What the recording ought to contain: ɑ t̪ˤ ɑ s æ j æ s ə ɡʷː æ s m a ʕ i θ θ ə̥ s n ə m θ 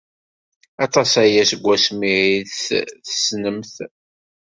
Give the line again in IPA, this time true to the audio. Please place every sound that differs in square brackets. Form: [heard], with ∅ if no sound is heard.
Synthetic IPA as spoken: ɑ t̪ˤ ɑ s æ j æ s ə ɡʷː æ s m [i] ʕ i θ θ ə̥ s n ə m θ